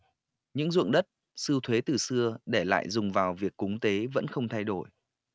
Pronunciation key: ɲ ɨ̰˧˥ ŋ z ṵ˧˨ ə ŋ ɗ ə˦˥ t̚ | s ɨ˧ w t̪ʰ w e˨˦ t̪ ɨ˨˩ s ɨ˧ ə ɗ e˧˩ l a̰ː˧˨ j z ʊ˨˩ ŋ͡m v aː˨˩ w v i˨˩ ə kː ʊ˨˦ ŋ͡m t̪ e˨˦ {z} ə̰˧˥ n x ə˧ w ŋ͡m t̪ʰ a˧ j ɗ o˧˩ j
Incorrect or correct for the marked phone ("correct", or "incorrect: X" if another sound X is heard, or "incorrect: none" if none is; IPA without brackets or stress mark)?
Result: incorrect: v